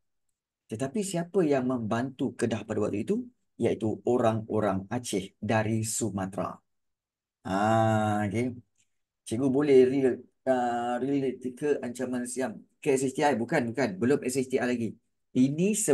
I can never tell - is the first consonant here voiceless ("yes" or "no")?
yes